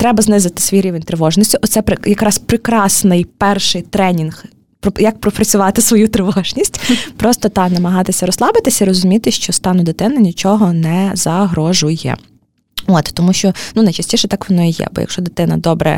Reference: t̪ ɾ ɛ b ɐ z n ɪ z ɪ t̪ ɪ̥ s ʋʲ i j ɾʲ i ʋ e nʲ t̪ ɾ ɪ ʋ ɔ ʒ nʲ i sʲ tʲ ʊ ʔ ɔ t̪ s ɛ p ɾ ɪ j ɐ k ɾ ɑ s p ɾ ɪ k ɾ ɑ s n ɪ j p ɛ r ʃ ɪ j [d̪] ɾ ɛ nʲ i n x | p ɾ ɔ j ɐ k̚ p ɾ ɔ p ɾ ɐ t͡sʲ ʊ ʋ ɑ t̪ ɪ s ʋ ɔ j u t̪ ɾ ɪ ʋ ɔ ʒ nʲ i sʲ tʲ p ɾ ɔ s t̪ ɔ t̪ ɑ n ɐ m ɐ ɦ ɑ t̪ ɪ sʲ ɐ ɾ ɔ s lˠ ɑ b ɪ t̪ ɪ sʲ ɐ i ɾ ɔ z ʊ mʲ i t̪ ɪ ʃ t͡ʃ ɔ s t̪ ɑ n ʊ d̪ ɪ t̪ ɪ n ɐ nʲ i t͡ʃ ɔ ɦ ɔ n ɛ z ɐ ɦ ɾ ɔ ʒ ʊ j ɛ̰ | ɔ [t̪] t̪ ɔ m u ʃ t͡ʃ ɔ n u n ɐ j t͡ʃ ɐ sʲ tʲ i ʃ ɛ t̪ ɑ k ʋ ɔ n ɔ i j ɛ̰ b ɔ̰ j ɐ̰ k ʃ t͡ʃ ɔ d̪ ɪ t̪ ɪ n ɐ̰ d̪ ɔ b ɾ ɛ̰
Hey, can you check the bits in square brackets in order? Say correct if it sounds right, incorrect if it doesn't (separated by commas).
incorrect, correct